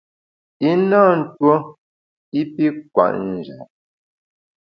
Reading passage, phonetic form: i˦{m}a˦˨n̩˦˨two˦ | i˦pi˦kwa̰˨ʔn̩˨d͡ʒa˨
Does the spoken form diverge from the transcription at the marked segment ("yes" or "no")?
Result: yes